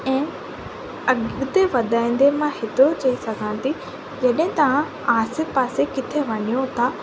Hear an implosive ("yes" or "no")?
yes